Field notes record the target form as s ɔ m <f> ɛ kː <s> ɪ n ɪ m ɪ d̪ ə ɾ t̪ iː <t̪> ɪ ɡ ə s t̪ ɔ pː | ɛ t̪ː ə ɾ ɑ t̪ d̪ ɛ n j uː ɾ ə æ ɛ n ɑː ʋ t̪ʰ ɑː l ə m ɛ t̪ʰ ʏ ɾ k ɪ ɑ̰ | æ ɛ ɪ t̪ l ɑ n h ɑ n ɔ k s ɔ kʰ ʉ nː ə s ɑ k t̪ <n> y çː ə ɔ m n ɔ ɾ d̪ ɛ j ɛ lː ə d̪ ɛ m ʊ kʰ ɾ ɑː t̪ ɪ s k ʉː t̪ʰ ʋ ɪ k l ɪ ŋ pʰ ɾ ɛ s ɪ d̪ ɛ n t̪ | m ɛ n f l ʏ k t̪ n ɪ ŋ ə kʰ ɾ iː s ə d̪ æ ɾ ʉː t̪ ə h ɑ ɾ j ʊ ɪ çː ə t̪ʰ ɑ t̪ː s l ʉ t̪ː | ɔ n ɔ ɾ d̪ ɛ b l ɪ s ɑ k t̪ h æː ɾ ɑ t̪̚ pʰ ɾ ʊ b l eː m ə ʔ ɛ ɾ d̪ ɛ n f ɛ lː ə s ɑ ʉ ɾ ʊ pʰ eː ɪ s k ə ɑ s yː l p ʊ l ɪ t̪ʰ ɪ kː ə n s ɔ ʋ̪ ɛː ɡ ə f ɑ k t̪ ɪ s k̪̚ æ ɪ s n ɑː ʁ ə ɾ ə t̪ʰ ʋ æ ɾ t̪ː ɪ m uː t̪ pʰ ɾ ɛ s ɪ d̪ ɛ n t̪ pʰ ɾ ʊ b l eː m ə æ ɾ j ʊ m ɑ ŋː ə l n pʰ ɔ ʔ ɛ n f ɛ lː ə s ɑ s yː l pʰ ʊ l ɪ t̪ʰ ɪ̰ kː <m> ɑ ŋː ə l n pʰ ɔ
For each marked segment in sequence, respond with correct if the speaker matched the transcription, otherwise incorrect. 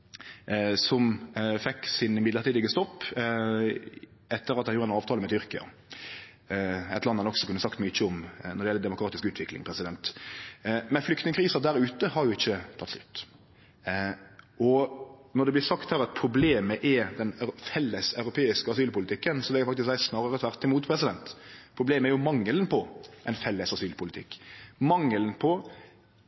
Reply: correct, correct, incorrect, incorrect, correct

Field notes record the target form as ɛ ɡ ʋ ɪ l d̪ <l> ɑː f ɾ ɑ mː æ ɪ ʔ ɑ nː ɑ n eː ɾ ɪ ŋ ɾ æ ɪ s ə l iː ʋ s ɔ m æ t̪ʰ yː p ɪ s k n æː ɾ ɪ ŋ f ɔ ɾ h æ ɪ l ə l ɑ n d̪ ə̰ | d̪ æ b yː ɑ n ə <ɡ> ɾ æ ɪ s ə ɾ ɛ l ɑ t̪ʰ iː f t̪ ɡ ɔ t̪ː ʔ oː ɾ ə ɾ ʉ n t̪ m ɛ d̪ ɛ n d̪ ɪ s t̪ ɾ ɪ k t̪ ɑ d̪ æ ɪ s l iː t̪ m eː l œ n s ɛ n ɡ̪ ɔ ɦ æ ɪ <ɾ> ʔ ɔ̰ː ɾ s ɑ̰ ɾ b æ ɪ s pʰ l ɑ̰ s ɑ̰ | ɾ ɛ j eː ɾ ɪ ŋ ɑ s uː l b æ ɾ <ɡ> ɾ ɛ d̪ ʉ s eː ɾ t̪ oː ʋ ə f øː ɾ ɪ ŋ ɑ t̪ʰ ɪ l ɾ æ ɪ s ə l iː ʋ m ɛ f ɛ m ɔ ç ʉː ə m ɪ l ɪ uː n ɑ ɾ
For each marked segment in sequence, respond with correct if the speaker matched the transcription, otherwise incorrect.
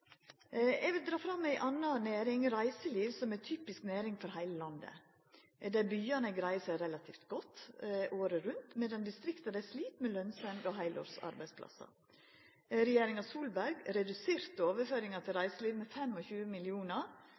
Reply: incorrect, correct, incorrect, correct

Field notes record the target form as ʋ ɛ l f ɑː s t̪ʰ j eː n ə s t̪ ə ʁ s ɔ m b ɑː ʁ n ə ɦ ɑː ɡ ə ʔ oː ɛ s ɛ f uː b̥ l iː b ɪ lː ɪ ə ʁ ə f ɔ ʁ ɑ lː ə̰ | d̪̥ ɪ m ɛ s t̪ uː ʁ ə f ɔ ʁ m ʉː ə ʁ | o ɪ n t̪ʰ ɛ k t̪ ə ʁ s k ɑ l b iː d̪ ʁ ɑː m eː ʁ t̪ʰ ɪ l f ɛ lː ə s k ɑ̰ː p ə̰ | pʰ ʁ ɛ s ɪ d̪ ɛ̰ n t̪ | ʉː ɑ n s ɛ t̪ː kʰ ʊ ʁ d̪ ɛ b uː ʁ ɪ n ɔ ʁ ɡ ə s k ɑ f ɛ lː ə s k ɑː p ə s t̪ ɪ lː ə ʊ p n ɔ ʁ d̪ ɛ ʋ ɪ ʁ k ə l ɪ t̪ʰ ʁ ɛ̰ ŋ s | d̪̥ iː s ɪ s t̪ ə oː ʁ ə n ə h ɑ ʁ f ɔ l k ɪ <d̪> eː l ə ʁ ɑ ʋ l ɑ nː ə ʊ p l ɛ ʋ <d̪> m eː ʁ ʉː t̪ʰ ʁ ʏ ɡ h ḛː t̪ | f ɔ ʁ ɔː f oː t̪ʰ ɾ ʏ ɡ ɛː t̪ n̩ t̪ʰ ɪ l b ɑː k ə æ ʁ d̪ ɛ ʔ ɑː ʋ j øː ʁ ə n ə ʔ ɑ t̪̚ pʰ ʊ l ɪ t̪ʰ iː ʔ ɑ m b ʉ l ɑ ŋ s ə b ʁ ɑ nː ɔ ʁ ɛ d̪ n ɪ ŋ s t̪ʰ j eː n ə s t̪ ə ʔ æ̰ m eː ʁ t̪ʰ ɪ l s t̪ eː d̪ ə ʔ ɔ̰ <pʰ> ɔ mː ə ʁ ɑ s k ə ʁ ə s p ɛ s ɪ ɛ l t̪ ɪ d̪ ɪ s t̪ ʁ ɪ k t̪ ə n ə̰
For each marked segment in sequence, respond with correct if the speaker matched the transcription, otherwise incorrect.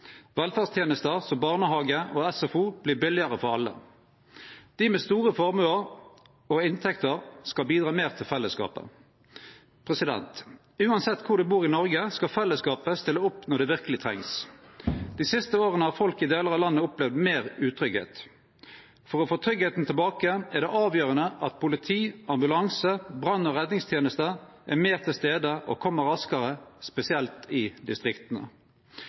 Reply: correct, correct, incorrect

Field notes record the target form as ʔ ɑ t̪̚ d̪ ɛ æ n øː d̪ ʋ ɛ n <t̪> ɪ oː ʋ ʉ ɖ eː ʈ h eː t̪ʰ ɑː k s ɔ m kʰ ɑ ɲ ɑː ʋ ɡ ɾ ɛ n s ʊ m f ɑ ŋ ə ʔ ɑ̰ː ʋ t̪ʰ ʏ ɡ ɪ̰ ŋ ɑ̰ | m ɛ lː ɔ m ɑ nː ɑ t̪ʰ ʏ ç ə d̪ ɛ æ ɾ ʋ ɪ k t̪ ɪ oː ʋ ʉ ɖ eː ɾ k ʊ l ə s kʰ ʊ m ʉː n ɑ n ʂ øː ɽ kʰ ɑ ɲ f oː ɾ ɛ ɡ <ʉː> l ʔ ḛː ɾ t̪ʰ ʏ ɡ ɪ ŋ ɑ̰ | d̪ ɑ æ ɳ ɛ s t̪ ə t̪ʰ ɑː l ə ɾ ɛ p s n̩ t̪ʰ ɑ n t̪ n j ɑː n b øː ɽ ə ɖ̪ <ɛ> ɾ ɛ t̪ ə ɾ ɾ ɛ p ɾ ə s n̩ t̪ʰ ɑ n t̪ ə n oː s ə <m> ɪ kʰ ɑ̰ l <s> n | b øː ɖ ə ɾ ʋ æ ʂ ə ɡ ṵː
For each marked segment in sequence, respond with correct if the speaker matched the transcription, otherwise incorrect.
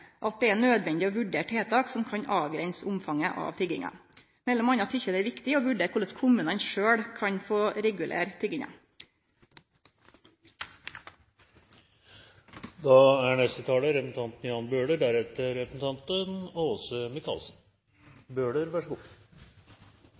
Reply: incorrect, incorrect, incorrect, correct, correct

